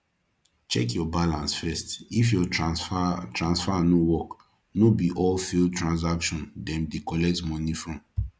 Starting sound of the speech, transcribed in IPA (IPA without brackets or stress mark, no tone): t͡ʃ